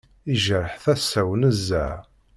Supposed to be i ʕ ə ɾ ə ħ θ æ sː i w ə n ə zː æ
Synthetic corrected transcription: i ʒ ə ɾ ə ħ θ æ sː æ w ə n ə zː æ